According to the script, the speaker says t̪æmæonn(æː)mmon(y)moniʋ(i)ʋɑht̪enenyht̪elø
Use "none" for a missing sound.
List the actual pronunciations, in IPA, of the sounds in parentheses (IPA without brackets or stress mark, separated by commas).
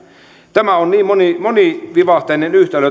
iː, i, i